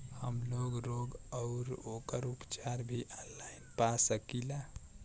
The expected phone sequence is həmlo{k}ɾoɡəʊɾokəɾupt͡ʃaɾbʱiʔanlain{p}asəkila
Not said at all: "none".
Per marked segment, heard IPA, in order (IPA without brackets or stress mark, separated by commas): ɡ, p